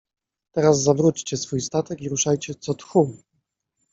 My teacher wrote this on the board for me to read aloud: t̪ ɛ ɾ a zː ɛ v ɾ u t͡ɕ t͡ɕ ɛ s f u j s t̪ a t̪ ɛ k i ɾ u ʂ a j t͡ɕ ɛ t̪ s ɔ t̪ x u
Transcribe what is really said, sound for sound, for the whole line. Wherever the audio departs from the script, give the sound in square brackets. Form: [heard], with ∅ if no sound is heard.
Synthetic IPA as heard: t̪ ɛ ɾ a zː [a] v ɾ u t͡ɕ t͡ɕ ɛ s f u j s t̪ a t̪ ɛ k i ɾ u ʂ a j t͡ɕ ɛ t̪ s ɔ t̪ x u